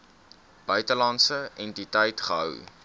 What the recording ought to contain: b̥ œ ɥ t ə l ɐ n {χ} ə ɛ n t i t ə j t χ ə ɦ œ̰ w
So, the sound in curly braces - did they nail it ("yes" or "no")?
no